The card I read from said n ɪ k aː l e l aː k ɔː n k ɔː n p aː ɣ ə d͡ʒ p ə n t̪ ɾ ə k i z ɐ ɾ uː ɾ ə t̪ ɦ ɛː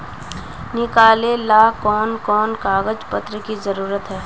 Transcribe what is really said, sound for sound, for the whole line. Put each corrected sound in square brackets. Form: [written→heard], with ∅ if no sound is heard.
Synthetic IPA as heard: n ɪ k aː l e l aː k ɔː n k ɔː n [p→k] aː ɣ ə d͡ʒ p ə [n→∅] t̪ ɾ ə k i z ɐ ɾ uː ɾ ə t̪ ɦ ɛː